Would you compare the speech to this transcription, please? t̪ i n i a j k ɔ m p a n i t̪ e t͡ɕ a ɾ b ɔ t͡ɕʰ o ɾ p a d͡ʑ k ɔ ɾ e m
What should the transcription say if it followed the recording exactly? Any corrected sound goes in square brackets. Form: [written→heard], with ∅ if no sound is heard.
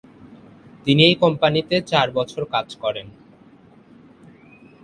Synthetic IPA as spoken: t̪ i n i [a→e] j k ɔ m p a n i t̪ e t͡ɕ a ɾ b ɔ t͡ɕʰ o ɾ [p→k] a d͡ʑ k ɔ ɾ e [m→n]

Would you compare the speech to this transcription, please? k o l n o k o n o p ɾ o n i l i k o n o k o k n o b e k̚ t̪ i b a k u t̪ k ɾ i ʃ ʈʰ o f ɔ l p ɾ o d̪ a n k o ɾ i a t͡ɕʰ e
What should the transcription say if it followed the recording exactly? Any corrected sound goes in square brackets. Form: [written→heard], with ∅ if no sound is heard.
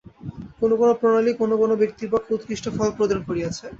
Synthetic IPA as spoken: k o [l→∅] n o k o n o p ɾ o n [i→a] l i k o n o k o [k→∅] n o b e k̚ t̪ i b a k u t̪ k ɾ i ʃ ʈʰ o f ɔ l p ɾ o d̪ a n k o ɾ i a t͡ɕʰ e

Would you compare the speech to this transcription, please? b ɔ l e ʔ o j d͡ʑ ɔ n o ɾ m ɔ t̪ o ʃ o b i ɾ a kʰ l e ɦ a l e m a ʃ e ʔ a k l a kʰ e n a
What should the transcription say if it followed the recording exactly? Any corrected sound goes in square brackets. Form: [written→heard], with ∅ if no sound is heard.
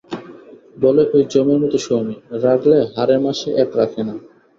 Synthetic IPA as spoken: b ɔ l e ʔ o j d͡ʑ ɔ [n→m] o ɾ m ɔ t̪ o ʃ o [b→m] i ɾ a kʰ l e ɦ a [l→ɾ] e m a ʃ e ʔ [a→ɛ] k [l→ɾ] a kʰ e n a

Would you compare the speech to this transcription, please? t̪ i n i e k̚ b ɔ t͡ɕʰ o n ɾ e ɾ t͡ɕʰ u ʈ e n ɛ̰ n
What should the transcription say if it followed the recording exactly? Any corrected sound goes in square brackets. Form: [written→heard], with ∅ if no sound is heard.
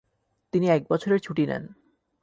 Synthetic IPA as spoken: t̪ i n i [e→ɛ] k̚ b ɔ t͡ɕʰ o [n→∅] ɾ e ɾ t͡ɕʰ u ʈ [e→i] n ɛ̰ n

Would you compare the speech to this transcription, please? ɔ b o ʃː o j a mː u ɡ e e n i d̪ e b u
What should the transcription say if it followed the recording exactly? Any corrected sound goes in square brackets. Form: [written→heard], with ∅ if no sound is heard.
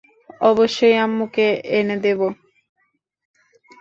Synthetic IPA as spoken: ɔ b o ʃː o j a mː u [ɡ→k] e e n [i→e] d̪ e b [u→o]

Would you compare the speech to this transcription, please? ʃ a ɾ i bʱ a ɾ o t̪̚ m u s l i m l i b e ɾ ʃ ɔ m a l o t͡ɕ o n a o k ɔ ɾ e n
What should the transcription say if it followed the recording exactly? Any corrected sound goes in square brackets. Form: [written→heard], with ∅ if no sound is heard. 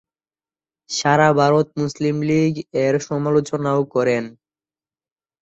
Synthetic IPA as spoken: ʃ a ɾ [i→a] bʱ a ɾ o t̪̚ m u s l i m l i [b→ɡ] e ɾ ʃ ɔ m a l o t͡ɕ o n a o k ɔ ɾ e n

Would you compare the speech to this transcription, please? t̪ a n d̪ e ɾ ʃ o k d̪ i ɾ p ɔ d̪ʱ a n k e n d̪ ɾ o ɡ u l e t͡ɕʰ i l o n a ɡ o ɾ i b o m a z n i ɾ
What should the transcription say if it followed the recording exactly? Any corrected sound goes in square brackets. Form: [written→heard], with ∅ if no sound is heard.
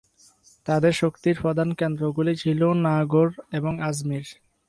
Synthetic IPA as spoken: t̪ a [n→∅] d̪ e ɾ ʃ o k [d̪→t̪] i ɾ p ɔ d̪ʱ a n k e n d̪ ɾ o ɡ u l [e→i] t͡ɕʰ i l o n a ɡ o ɾ [i→e] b o [m→ŋ] a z [n→m] i ɾ

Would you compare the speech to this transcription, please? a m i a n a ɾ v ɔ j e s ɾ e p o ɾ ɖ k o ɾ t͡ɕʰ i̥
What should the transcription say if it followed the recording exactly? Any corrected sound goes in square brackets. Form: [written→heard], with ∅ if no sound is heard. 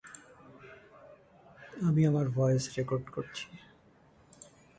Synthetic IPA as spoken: a m i a [n→m] a ɾ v ɔ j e s ɾ e [p→k] o ɾ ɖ k o ɾ t͡ɕʰ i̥

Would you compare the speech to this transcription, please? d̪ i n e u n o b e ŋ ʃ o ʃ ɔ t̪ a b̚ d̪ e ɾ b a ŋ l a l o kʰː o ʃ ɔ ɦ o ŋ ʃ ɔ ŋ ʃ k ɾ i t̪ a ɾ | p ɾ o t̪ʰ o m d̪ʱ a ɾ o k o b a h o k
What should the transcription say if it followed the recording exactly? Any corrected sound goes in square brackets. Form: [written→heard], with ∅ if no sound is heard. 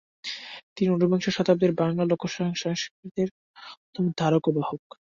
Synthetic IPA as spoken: [d̪→t̪] i n [e→i] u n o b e ŋ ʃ o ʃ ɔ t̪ a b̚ d̪ e ɾ b a ŋ l a l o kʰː o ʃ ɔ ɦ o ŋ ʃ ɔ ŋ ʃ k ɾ i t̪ [a→e] ɾ | p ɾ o t̪ʰ o m d̪ʱ a ɾ o k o b a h o k

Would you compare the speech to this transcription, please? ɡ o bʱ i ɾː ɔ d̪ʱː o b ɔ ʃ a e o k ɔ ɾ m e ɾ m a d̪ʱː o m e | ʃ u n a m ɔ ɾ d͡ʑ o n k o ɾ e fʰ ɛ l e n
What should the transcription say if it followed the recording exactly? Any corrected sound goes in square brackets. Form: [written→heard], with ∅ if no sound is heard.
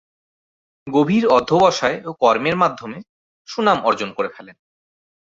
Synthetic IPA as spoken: ɡ o bʱ i [ɾː→ɾ] ɔ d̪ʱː o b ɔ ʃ a e o k ɔ ɾ m e ɾ m a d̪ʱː o m e | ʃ u n a m ɔ ɾ d͡ʑ o n k o ɾ e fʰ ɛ l e n

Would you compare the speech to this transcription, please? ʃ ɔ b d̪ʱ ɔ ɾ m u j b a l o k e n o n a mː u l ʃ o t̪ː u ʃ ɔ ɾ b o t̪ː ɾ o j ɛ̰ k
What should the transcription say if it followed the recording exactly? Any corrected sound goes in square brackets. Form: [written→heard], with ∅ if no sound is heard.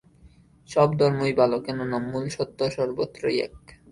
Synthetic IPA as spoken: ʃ ɔ b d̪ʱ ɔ ɾ m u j b a l o k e n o n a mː u l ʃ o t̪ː [u→o] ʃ ɔ ɾ b o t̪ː ɾ o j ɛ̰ k

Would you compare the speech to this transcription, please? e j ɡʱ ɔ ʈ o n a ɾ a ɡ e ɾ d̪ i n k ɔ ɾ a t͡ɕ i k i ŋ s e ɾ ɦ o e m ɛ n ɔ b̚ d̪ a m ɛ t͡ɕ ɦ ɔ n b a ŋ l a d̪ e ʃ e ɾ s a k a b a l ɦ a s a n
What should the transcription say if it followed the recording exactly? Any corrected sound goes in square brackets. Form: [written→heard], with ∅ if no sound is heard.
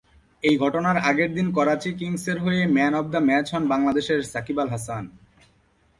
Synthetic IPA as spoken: e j ɡʱ ɔ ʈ o n a ɾ a ɡ e ɾ d̪ i n k ɔ ɾ a t͡ɕ i k i ŋ s e ɾ ɦ o e m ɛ n ɔ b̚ d̪ a m ɛ t͡ɕ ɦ ɔ n b a ŋ l a d̪ e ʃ e ɾ s a k [a→i] b a l ɦ a s a n

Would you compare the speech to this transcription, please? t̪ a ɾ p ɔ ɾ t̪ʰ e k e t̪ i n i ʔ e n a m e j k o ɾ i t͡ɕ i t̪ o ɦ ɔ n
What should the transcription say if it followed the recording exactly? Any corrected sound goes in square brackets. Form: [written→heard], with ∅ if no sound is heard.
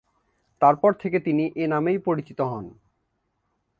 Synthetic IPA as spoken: t̪ a ɾ p ɔ ɾ t̪ʰ e k e t̪ i n i ʔ e n a m e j [k→p] o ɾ i t͡ɕ i t̪ o ɦ ɔ n

